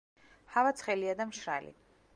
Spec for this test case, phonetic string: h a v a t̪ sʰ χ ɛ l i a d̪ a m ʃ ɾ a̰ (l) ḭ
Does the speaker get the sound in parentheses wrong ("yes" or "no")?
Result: no